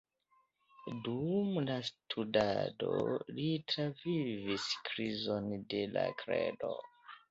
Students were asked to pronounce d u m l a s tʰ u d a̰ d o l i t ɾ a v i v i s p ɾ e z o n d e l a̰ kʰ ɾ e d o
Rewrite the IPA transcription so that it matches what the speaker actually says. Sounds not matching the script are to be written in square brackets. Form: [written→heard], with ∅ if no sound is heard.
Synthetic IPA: d u m l a s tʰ u d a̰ d o l i t ɾ a v i v i s [p→k] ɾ [e→i] z o n d e l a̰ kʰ ɾ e d o